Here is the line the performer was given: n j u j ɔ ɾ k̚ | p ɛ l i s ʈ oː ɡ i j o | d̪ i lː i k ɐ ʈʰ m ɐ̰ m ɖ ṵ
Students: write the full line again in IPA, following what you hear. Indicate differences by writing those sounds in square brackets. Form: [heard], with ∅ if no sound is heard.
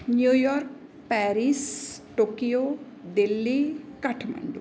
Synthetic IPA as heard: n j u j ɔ ɾ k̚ | p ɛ [ɾ] i s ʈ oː [k] i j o | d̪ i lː i k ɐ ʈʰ m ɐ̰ [ɳ] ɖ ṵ